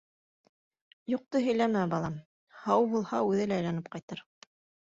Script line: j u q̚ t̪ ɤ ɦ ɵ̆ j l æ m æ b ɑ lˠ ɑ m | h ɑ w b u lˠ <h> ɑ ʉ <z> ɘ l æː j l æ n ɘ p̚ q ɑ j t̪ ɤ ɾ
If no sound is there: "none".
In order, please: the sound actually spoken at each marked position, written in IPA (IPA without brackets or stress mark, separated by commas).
h, ð